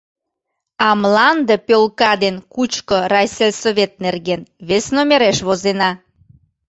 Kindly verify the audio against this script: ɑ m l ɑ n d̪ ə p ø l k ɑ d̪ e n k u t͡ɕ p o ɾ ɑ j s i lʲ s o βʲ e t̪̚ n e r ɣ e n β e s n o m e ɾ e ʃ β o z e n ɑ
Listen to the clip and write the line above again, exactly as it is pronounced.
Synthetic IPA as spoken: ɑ m l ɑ n d̪ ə p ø l k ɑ d̪ e n k u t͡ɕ k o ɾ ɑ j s e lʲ s o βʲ e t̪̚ n e r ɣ e n β e s n o m e ɾ e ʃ β o z e n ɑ